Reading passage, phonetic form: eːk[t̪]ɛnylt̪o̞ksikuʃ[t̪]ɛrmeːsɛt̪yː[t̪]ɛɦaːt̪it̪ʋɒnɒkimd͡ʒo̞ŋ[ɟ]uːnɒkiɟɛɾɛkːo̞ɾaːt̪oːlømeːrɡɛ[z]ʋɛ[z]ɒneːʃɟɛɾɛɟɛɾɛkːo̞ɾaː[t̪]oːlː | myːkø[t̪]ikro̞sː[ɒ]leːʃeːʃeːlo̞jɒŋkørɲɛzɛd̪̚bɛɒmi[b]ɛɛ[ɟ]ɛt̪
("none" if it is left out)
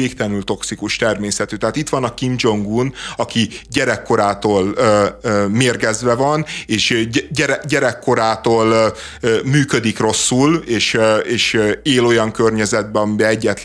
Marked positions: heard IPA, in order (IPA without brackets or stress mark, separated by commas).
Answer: t̪, t̪, t̪, ɡ, z, v, t̪, d̪, u, b, ɟː